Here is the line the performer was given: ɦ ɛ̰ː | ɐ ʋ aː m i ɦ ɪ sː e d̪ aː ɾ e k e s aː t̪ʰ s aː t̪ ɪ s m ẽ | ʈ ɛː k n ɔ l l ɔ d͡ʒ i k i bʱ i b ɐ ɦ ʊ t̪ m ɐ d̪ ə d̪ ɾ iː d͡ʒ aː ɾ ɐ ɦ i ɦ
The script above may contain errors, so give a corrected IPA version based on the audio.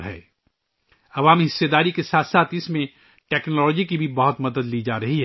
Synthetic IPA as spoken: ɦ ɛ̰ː | ɐ ʋ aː m i ɦ ɪ sː e d̪ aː ɾ i k e s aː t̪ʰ s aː t̪ ɪ s m ẽ | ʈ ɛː k n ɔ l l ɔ d͡ʒ i k i bʱ i b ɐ ɦ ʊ t̪ m ɐ d̪ ə d̪ l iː d͡ʒ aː ɾ ɐ ɦ i ɦ

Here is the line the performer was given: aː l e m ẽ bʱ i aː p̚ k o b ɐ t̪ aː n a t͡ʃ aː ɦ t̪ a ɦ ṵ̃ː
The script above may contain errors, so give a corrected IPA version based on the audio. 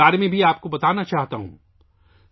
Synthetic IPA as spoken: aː ɾ e m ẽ bʱ i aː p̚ k o b ɐ t̪ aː n a t͡ʃ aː ɦ t̪ a ɦ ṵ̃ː

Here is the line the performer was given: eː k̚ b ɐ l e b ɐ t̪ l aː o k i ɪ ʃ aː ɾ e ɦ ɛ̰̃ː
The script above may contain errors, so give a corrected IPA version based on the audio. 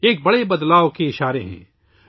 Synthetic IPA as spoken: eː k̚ b ɐ ɽ e b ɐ d̪ l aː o k e ɪ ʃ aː ɾ e ɦ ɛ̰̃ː

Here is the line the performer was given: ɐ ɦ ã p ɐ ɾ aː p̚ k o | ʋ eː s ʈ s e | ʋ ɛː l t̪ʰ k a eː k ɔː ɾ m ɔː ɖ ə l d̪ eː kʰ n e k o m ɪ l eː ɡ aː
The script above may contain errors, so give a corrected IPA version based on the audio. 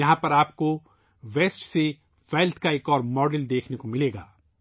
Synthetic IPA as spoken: ɐ ɦ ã p ɐ ɾ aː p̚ k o | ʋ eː s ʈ s e | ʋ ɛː l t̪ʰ k a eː k ɔː ɾ m ɔː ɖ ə l d̪ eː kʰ n e k o m ɪ l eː ɡ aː

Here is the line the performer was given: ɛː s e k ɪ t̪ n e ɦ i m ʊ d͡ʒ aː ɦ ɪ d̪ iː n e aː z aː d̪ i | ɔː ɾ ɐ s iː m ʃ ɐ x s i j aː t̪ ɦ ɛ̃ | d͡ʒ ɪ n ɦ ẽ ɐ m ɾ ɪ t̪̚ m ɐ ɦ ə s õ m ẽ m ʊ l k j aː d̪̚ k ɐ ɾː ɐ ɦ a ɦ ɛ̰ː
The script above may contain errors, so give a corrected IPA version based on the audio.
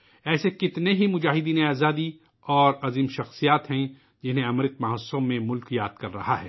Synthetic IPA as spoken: ɛː s e k ɪ t̪ n e ɦ i m ʊ d͡ʒ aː ɦ ɪ d̪ iː n e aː z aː d̪ i | ɔː ɾ ɐ z iː m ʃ ɐ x s i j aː t̪ ɦ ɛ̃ | d͡ʒ ɪ n ɦ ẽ ɐ m ɾ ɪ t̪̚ m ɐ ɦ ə s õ m ẽ m ʊ l k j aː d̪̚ k ɐ ɾː ɐ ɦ a ɦ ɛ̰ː

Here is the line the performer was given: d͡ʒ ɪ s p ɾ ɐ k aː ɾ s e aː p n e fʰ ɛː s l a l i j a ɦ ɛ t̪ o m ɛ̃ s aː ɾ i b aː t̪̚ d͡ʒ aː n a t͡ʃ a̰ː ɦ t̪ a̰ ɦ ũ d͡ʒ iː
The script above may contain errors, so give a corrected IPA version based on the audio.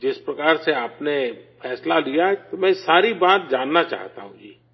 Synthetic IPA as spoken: d͡ʒ ɪ s p ɾ ɐ k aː ɾ s e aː p n e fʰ ɛː s l a l i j a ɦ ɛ t̪ o m ɛ̃ s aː ɾ i b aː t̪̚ d͡ʒ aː nː a t͡ʃ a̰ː ɦ t̪ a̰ ɦ ũ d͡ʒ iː

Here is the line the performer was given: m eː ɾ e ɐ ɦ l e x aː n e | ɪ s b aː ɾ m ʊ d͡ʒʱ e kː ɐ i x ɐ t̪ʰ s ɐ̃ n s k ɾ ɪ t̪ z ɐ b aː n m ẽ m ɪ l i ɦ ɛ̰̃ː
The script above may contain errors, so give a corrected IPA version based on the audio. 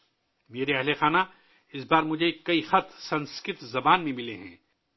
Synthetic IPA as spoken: m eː ɾ e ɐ ɦ l e x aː n a | ɪ s b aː ɾ m ʊ d͡ʒʱ e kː ɐ i x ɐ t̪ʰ s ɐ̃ n s k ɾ ɪ t̪ z ɐ b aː n m ẽ m ɪ l e ɦ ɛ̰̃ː

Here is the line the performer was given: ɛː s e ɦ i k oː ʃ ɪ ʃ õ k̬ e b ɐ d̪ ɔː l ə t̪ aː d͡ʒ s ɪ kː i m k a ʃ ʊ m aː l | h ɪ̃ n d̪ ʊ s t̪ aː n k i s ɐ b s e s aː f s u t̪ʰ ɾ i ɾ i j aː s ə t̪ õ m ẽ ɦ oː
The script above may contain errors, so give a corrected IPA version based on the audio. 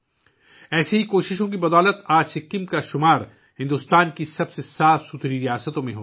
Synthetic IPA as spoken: ɛː s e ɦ i k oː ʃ ɪ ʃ õ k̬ i b ɐ d̪ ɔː l ə t̪ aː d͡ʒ s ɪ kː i m k a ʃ ʊ m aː ɾ | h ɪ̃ n d̪ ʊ s t̪ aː n k i s ɐ b s e s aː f s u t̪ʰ ɾ i ɾ i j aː s ə t̪ õ m ẽ ɦ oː

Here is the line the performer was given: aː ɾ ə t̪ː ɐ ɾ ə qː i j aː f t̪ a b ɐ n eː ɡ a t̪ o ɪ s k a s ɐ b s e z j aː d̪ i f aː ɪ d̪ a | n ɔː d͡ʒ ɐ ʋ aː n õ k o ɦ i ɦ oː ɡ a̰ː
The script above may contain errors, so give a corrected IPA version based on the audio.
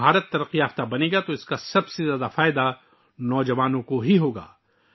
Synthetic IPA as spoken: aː ɾ ə t̪ː ɐ ɾ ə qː i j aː f t̪ a b ɐ n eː ɡ a t̪ o ɪ s k a s ɐ b s e z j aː d̪ a f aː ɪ d̪ a | n ɔː d͡ʒ ɐ ʋ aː n õ k o ɦ i ɦ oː ɡ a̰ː

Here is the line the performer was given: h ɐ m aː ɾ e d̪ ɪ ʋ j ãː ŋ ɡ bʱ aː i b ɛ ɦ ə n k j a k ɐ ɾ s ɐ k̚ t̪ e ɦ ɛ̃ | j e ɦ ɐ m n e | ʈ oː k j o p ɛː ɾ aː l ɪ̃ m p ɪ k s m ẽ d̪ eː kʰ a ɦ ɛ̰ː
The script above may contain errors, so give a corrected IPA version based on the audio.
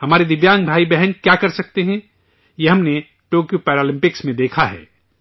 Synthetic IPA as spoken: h ɐ m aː ɾ e d̪ ɪ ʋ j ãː ŋ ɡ bʱ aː i b ɛ ɦ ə n k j a k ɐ ɾ s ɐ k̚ t̪ e ɦ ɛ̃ | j e ɦ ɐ m n e | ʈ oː k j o p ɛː ɾ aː l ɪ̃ m p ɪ k s m ẽ d̪ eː kʰ a ɦ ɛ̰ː

